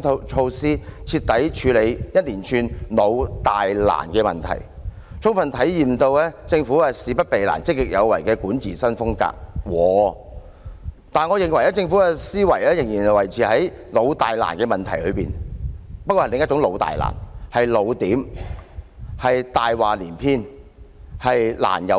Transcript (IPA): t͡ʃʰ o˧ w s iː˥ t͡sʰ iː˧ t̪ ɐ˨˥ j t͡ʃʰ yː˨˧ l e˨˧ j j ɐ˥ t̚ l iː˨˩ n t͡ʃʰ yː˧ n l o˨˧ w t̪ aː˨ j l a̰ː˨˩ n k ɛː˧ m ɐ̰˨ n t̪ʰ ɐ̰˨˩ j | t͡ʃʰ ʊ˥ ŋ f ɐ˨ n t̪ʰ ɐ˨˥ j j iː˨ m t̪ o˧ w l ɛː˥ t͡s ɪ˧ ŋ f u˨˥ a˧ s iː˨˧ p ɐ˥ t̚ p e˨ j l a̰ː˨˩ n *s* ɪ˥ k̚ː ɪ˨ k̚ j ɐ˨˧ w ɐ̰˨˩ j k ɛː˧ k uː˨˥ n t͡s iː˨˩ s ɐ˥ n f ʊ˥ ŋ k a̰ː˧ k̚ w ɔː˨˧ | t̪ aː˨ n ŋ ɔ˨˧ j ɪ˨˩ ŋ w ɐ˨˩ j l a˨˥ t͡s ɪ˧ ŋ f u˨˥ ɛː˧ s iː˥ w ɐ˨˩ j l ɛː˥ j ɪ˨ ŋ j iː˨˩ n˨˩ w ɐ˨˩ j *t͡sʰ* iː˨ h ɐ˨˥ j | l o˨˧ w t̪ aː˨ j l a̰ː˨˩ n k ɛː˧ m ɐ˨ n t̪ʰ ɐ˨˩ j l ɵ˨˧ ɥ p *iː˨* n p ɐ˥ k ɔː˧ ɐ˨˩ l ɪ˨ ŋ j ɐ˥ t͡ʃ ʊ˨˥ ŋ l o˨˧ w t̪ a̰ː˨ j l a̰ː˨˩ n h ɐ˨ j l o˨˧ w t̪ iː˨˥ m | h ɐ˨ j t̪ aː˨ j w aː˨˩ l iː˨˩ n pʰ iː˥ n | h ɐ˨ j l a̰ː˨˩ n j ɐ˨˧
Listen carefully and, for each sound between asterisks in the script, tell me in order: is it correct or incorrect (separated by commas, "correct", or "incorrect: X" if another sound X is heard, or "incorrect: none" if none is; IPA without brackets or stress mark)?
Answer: incorrect: t͡s, correct, correct